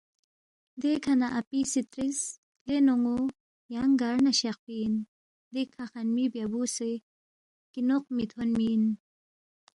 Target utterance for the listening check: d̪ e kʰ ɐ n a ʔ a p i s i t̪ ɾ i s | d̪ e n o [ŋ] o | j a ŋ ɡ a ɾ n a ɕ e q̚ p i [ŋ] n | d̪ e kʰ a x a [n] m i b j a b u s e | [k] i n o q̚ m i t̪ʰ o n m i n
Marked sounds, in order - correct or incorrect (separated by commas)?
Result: correct, incorrect, correct, correct